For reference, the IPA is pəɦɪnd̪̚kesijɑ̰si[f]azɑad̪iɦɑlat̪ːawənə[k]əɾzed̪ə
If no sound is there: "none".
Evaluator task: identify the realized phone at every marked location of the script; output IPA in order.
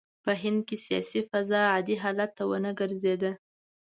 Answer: f, ɡ

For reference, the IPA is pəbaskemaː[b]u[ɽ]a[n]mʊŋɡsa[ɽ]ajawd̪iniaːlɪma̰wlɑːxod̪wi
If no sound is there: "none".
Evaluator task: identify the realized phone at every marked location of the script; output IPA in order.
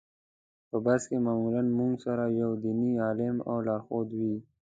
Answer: m, l, n, ɾ

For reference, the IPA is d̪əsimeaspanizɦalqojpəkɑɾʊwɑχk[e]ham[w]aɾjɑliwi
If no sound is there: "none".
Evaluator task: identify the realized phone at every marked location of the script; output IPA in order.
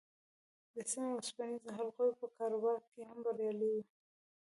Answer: e, b

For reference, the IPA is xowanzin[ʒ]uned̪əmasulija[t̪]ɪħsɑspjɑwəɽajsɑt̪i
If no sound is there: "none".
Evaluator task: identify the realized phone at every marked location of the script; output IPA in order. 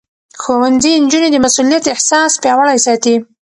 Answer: d͡ʒ, t̪

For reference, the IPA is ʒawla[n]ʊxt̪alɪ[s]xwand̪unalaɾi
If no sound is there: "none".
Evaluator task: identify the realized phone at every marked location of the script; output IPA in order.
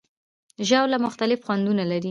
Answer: m, f

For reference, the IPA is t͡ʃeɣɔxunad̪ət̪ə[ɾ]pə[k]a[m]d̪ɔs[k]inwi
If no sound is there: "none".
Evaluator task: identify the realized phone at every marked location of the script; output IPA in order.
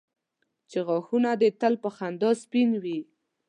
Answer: l, x, n, p

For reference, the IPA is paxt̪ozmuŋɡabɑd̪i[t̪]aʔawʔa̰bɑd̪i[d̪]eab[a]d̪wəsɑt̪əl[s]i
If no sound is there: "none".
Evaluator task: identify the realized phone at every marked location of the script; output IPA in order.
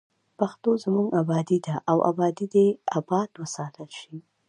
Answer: d̪, d̪, ɑ, ʃ

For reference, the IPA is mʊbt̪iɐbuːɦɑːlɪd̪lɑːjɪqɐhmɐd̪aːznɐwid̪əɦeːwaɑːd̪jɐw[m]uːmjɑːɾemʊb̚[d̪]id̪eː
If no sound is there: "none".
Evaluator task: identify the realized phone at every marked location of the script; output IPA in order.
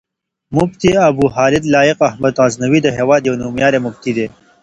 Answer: n, t̪

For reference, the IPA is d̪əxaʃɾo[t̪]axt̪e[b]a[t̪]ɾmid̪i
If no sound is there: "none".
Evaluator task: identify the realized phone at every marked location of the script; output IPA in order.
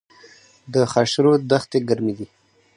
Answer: d̪, ɡ, none

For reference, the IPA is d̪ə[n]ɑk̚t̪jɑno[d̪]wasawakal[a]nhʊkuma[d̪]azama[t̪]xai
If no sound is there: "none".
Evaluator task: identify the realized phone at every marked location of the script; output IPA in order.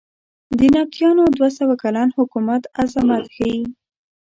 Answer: n, d̪, ɑ, t̪, t̪

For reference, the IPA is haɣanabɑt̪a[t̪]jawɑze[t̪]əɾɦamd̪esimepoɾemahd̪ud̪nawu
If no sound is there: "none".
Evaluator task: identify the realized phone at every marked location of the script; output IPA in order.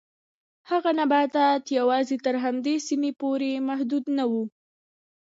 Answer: t̪, t̪

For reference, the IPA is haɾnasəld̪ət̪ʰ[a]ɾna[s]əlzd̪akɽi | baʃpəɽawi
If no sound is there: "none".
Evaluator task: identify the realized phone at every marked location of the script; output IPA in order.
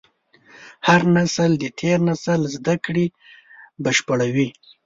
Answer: e, s

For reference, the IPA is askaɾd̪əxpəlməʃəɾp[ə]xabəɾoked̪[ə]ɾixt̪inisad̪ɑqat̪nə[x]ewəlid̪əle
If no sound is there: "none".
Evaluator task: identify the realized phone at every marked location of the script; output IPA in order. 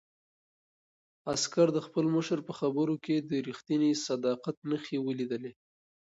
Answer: ə, ə, x

